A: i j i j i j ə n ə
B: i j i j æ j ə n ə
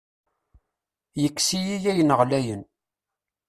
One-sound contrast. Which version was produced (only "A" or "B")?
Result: B